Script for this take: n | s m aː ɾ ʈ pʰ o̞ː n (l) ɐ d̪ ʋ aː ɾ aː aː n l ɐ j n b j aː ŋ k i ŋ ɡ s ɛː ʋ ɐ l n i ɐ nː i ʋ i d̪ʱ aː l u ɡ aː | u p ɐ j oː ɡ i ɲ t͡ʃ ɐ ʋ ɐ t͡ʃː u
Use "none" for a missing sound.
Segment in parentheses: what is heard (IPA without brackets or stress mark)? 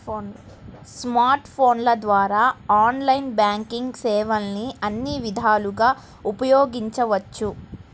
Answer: l